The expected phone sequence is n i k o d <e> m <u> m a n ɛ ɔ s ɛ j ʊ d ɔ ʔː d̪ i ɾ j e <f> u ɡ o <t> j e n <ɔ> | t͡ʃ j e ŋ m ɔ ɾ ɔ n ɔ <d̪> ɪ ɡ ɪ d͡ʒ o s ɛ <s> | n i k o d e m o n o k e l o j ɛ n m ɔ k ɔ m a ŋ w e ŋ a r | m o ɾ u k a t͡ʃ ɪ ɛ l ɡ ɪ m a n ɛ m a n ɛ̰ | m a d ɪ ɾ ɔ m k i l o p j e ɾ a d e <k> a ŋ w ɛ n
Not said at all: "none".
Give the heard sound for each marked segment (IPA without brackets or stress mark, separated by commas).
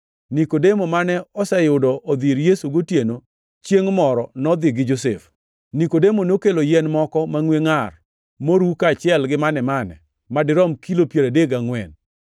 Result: e, o, s, t, o, d̪, f, ɡ